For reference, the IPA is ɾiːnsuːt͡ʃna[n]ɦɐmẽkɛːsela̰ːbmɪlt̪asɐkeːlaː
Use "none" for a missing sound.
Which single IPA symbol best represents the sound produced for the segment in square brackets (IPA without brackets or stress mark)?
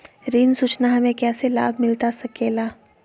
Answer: none